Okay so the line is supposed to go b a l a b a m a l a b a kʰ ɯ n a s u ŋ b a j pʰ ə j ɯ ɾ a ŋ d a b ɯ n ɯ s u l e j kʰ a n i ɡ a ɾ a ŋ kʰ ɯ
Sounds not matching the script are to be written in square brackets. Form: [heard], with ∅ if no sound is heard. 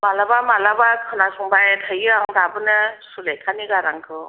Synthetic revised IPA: [m] a l a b a m a l a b a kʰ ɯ n a s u ŋ b a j [tʰ] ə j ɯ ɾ a ŋ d a b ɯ n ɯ s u l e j kʰ a n i ɡ a ɾ a ŋ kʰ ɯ

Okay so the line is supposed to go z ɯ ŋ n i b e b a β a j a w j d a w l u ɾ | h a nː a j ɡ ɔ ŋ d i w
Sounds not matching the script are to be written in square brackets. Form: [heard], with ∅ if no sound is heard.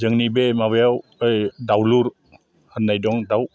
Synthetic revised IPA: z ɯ ŋ n i b e [m] a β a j a w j d a w l u ɾ | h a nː a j [d] ɔ ŋ d [a] w

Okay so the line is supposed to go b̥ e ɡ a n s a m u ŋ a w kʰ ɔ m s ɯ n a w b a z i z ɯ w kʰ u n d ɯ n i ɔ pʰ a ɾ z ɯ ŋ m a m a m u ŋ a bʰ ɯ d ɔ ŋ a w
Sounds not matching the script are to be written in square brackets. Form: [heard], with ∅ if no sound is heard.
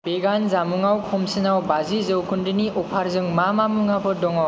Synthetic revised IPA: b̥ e ɡ a n [z] a m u ŋ a w kʰ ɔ m s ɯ n a w b a z i z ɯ w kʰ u n d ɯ n i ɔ pʰ a ɾ z ɯ ŋ m a m a m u ŋ a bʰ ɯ d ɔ ŋ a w

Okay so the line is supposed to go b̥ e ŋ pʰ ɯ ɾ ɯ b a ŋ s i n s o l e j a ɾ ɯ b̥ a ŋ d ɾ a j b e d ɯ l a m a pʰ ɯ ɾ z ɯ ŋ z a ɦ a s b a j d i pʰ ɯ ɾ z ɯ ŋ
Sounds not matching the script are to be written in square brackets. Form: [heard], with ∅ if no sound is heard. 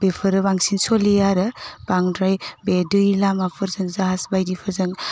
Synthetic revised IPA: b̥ e [∅] pʰ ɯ ɾ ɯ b a ŋ s i n s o l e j a ɾ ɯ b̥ a ŋ d ɾ a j b e d ɯ l a m a pʰ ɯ ɾ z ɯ ŋ z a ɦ a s b a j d i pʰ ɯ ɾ z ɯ ŋ

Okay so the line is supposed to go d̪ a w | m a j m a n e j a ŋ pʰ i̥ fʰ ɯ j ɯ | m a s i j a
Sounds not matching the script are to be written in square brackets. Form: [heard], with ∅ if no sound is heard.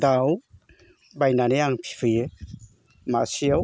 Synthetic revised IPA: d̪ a w | [b] a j [n] a n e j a ŋ pʰ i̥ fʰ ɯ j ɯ | m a s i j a

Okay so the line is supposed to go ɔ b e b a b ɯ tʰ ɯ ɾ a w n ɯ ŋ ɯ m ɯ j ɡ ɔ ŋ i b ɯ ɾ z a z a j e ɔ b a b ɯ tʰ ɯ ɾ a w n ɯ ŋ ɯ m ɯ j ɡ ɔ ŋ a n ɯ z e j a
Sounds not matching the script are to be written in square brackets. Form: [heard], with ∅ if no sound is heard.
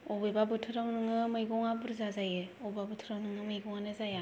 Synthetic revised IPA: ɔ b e b a b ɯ tʰ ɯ ɾ a w n ɯ ŋ ɯ m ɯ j ɡ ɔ ŋ [a] b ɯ ɾ z a z a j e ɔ b a b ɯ tʰ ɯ ɾ a w n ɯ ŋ ɯ m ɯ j ɡ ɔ ŋ a n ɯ z [a] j a

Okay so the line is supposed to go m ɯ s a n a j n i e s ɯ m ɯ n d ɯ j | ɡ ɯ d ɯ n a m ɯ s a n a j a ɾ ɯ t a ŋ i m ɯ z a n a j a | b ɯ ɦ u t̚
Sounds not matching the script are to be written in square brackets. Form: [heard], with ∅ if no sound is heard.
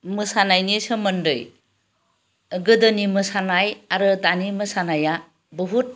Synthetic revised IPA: m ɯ s a n a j n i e s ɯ m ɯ n d ɯ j | ɡ ɯ d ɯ n [i] m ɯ s a n a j a ɾ ɯ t a [n] i m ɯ [s] a n a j a | b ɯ ɦ u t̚

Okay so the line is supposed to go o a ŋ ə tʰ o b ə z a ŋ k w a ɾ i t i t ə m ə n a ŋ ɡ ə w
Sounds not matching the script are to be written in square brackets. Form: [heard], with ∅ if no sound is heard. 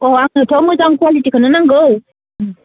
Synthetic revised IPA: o a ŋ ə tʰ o [m] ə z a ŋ k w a [l] i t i [k] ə [n] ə n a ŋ ɡ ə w

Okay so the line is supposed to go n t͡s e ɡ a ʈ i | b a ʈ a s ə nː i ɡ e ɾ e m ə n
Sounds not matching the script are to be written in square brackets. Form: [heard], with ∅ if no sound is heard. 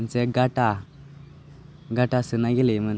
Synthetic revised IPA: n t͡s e ɡ a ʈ [a] | [ɡ] a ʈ a s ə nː [a] ɡ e [l] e m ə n

